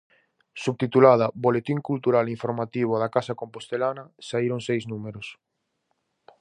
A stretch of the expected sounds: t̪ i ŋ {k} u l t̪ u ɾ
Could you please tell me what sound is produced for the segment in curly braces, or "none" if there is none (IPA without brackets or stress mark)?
k